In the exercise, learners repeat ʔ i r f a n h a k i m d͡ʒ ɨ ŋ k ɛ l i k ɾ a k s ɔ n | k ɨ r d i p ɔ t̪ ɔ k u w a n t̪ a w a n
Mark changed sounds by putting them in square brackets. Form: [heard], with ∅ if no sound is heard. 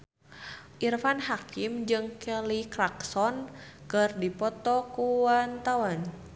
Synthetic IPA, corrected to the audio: ʔ i r f a n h a k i m d͡ʒ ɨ ŋ k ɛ l i k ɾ a k s ɔ n | k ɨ r d i p ɔ t̪ ɔ k u w a n t̪ a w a n

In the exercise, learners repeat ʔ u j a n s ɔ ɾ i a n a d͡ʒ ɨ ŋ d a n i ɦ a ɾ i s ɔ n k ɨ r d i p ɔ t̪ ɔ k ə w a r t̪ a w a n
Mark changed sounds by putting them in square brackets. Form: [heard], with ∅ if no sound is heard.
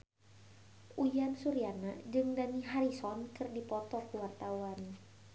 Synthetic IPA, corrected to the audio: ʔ u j a n s [u] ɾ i a n a d͡ʒ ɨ ŋ d a n i ɦ a ɾ i s ɔ n k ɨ r d i p ɔ t̪ ɔ k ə w a r t̪ a w a n

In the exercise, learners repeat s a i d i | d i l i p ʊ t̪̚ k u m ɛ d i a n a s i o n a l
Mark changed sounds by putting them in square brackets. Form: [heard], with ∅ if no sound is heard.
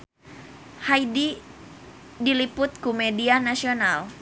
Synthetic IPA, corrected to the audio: [h] a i d i | d i l i p ʊ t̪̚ k u m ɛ d i a n a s i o n a l

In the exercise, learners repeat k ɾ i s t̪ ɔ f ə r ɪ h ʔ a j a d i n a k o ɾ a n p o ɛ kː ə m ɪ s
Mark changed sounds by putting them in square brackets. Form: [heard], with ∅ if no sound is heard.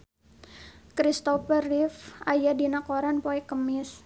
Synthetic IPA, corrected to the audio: k ɾ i s t̪ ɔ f ə r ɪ [f] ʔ a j a d i n a k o ɾ a n p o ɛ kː ə m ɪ s

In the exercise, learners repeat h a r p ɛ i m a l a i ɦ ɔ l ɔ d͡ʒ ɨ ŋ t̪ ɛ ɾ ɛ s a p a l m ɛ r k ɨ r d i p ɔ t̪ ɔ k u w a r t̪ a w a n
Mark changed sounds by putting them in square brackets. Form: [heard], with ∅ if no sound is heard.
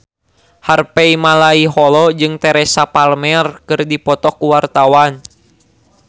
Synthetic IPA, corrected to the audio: h a r p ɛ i m a l a i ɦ ɔ l ɔ d͡ʒ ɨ ŋ t̪ ɛ ɾ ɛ s a p a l m ɛ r k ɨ r d i p ɔ t̪ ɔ k u w a r t̪ a w a n

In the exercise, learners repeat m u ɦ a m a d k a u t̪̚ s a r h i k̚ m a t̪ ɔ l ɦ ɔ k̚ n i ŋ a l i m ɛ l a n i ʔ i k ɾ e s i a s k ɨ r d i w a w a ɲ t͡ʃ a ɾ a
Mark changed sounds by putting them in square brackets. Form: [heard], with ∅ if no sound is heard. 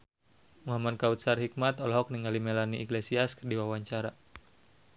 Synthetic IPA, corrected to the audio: m u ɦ a m a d k a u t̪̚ s a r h i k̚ m a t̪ ɔ l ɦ ɔ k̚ n i ŋ a l i m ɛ l a n i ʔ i k [l] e s i a s k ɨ r d i w a w a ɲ t͡ʃ a ɾ a

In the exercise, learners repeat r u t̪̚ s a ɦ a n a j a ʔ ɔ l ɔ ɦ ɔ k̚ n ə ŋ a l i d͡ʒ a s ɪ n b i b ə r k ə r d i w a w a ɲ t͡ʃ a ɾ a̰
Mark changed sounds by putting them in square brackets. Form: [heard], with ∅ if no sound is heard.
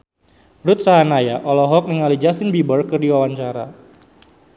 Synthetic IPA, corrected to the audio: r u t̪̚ s a ɦ a n a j a ʔ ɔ l ɔ ɦ ɔ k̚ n ə ŋ a l i d͡ʒ a s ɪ n b i b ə r k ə r d i w a w a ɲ t͡ʃ a ɾ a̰

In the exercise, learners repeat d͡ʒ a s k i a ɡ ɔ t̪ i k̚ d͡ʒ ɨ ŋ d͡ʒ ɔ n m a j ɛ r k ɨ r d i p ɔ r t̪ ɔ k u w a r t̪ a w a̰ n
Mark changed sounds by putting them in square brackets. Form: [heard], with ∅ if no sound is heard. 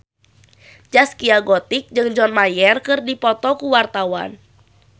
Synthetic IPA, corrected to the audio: d͡ʒ a s k i a ɡ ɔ t̪ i k̚ d͡ʒ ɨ ŋ d͡ʒ ɔ n m a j ɛ r k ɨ r d i p ɔ [∅] t̪ ɔ k u w a r t̪ a w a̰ n

